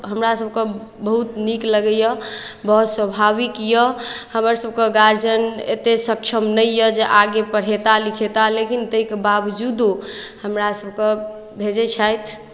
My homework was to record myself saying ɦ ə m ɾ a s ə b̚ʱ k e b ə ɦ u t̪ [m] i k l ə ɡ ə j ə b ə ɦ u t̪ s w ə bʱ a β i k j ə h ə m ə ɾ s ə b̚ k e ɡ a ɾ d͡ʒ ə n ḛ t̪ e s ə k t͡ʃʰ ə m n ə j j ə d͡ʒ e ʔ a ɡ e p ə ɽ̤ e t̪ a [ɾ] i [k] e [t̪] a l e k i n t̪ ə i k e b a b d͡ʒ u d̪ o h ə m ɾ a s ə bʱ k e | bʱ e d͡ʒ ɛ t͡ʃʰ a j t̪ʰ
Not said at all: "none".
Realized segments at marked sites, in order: n, l, kʰ, t̪

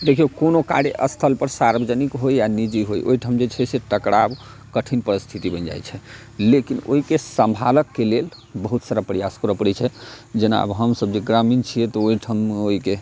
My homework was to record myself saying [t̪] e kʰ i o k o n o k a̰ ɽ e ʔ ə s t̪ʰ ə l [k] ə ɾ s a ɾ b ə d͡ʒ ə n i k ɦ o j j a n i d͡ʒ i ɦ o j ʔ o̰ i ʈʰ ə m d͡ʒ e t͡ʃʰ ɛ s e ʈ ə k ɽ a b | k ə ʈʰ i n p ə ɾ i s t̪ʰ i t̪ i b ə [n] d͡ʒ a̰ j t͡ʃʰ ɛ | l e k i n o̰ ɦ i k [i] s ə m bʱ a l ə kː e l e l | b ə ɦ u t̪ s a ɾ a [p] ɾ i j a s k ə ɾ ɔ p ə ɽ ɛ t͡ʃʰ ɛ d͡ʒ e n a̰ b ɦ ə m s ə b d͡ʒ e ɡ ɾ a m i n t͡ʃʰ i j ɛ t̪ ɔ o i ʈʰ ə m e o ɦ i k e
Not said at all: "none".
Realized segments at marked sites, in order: d̪, p, n, e, p

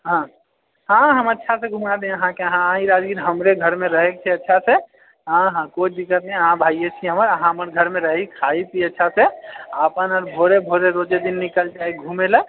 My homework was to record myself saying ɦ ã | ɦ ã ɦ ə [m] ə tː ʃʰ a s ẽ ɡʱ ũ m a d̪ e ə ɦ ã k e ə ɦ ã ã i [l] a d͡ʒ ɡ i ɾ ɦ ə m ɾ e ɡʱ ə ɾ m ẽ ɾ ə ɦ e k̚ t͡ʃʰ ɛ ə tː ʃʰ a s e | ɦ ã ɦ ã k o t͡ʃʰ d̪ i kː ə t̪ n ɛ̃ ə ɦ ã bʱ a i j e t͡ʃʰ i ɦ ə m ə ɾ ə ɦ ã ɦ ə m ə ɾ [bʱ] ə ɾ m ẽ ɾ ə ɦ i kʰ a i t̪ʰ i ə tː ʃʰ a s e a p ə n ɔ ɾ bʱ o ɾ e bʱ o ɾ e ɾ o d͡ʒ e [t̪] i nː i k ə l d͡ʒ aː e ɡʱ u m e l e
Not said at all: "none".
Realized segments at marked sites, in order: m, ɾ, ɡʱ, d̪

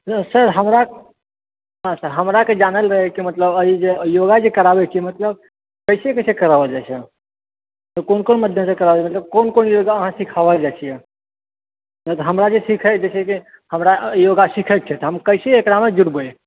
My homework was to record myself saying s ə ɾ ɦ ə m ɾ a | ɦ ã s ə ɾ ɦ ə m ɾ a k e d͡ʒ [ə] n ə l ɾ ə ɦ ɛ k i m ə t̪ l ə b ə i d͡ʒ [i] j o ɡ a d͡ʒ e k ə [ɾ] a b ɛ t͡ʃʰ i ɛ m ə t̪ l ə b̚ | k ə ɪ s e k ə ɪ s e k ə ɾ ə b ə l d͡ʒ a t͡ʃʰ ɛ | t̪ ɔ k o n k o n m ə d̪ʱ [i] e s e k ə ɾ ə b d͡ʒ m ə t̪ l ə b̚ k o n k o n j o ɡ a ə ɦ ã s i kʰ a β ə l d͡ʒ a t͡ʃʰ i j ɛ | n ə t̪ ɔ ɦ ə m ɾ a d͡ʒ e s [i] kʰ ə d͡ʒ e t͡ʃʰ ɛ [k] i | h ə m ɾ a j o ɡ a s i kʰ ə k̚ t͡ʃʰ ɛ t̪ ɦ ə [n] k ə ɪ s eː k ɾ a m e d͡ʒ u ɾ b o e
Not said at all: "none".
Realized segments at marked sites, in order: a, e, ɾ, j, i, k, m

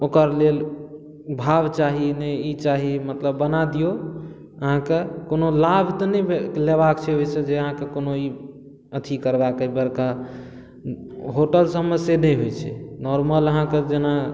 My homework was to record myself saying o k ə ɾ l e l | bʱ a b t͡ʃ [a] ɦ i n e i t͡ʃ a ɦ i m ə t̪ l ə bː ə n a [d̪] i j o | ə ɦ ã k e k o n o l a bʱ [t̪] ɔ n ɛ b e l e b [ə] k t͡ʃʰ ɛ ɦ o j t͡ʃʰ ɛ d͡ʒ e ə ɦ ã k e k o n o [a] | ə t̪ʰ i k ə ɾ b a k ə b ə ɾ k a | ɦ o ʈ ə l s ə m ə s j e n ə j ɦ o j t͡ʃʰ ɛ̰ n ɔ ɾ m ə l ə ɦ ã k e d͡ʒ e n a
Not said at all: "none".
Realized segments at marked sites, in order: a, d̪, t̪, a, i

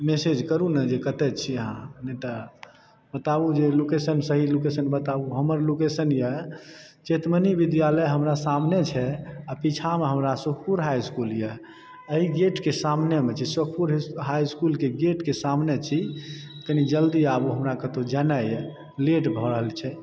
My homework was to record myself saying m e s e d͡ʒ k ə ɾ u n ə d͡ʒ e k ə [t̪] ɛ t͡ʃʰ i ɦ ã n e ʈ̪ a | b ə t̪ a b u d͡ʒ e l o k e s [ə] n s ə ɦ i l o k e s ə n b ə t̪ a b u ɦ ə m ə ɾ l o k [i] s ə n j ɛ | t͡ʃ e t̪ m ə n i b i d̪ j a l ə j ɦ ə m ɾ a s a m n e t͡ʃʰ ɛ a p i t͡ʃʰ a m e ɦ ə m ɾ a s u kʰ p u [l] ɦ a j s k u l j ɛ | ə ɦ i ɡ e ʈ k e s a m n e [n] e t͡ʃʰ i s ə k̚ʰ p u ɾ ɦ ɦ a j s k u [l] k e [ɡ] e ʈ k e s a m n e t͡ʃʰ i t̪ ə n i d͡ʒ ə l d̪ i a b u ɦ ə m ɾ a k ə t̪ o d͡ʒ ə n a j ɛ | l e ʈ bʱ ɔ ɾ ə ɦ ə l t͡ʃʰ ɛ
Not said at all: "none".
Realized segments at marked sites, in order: t̪, ə, e, ɾ, m, l, ɡ

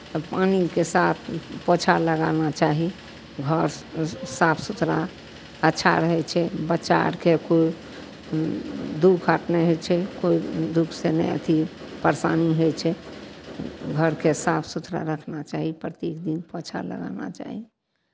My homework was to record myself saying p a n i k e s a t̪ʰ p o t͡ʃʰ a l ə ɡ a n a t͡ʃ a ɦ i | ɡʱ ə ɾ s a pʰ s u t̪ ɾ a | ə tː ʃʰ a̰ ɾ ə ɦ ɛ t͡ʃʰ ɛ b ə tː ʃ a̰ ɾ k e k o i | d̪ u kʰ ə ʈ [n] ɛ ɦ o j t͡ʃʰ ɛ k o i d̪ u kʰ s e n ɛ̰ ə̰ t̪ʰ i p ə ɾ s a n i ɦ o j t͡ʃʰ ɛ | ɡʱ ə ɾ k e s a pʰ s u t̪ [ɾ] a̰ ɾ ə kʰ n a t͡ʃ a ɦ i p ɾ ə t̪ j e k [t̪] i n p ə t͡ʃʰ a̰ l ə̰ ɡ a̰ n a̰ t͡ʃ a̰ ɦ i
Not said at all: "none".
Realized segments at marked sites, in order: n, ɾ, d̪

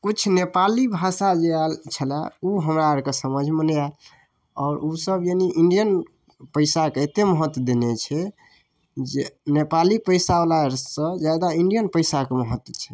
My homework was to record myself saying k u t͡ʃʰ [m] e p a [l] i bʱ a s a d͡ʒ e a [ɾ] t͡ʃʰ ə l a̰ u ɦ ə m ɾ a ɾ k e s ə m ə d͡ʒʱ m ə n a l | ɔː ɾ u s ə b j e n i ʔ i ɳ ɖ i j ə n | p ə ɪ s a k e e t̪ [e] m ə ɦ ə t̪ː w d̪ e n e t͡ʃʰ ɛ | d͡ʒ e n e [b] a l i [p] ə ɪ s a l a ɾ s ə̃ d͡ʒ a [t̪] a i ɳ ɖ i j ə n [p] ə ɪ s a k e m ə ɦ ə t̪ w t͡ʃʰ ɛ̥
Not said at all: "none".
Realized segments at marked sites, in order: n, l, l, e, p, p, d̪, p

